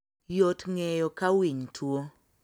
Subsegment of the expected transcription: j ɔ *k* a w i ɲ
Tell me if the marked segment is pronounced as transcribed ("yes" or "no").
yes